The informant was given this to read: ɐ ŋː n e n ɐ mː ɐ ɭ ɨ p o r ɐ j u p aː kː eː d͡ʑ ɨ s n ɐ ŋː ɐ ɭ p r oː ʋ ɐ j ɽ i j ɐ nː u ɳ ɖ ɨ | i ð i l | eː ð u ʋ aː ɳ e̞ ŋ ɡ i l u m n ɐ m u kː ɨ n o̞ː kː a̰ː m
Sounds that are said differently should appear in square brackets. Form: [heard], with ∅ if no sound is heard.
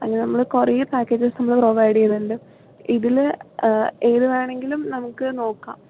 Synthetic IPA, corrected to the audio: ɐ ŋː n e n ɐ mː ɐ ɭ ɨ [k] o r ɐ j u p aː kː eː d͡ʑ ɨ s n ɐ [mː] ɐ ɭ p r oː ʋ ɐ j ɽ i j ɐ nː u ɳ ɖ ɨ | i ð i l | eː ð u ʋ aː ɳ e̞ ŋ ɡ i l u m n ɐ m u kː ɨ n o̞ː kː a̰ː m